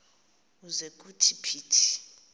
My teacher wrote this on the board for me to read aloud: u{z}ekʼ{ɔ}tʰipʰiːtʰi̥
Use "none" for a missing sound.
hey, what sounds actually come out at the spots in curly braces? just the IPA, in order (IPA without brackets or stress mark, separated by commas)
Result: z, u